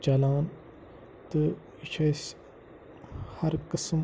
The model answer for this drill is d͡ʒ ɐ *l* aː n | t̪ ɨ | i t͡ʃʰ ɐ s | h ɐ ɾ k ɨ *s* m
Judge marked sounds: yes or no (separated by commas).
yes, yes